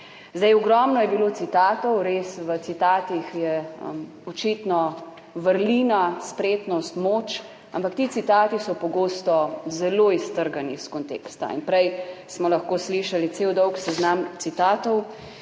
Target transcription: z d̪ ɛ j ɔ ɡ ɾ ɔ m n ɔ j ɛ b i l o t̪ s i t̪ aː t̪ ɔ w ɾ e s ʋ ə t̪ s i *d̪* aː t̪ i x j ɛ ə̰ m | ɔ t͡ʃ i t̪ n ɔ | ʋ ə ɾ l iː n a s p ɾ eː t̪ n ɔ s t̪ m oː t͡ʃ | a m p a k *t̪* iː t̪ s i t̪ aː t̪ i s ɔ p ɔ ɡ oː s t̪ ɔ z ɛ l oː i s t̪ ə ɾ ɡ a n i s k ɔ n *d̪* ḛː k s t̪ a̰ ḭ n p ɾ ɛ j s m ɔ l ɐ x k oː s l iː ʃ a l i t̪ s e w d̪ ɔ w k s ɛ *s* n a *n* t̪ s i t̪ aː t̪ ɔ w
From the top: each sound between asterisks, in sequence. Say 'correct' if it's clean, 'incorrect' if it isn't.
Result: incorrect: t̪, correct, incorrect: t̪, incorrect: z, incorrect: m

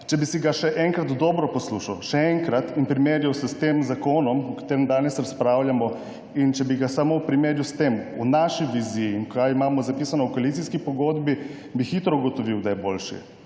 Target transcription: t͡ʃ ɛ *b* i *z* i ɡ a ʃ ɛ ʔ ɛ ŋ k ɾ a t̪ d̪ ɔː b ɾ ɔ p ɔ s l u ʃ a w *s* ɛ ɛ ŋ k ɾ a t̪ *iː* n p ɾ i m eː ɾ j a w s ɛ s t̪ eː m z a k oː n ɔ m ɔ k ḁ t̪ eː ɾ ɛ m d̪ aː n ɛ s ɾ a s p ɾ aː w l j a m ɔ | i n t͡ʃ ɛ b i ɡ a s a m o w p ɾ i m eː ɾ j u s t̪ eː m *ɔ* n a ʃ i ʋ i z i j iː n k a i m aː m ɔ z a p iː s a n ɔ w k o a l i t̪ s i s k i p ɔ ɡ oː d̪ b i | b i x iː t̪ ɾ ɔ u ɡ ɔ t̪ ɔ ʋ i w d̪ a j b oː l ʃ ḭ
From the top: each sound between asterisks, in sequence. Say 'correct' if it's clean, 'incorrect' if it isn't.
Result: correct, incorrect: s, incorrect: ʃ, incorrect: i, incorrect: u

